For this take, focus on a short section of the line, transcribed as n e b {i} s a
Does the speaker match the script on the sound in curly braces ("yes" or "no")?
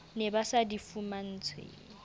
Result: no